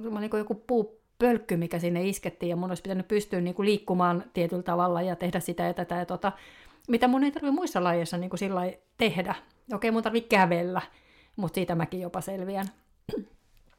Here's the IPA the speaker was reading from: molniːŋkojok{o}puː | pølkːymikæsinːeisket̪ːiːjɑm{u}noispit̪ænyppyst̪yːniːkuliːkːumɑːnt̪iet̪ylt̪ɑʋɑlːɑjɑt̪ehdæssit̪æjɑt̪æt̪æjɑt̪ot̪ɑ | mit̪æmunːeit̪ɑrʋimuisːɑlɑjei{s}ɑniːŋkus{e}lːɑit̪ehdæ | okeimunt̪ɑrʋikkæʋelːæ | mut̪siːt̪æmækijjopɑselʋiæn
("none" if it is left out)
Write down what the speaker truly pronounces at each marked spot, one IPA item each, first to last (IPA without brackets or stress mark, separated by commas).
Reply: u, u, sː, i